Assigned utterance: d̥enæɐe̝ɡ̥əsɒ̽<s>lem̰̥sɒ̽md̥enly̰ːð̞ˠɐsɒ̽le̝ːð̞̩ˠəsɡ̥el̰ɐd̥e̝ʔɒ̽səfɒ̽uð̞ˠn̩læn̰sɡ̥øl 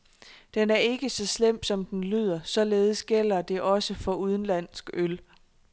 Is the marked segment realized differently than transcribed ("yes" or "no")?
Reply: no